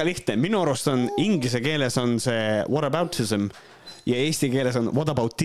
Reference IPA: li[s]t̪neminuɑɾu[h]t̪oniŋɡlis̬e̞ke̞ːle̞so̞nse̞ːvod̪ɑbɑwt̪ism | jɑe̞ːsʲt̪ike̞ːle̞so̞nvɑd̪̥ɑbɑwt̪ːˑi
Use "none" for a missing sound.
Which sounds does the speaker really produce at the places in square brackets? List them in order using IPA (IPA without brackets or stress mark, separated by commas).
h, s